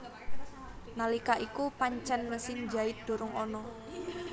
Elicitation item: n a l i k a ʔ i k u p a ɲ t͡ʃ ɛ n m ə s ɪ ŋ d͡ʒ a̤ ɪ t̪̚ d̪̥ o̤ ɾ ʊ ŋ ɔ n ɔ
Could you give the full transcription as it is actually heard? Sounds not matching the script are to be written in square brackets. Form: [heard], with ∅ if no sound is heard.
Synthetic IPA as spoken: n a l i k a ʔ i k u p a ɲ t͡ʃ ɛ n m ə s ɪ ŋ d͡ʒ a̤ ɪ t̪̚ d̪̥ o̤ ɾ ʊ ŋ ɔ n ɔ